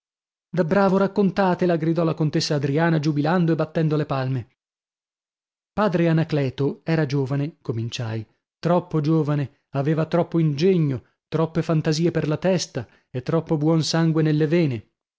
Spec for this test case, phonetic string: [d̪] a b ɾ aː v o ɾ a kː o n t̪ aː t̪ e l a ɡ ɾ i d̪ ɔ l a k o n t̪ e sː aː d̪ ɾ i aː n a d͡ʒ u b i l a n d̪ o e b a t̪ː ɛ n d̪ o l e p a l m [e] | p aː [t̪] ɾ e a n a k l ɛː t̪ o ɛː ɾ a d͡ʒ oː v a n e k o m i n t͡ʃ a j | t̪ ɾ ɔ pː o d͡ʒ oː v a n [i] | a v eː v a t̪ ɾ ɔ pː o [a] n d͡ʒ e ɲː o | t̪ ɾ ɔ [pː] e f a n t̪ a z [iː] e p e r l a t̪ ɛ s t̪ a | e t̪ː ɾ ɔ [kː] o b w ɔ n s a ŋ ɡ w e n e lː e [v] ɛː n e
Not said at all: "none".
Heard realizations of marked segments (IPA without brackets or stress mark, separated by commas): d̪, e, d̪, e, i, pː, iː, pː, v